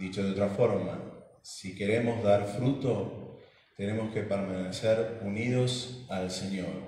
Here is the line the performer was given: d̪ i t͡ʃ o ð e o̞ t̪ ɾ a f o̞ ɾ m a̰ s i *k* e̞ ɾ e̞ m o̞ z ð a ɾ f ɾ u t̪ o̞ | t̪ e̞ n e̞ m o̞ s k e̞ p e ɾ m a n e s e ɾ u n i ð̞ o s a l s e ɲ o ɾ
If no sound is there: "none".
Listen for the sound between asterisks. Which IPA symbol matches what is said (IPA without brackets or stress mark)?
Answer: k